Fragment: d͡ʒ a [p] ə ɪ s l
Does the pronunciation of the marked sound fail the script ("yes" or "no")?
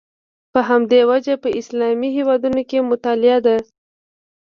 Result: no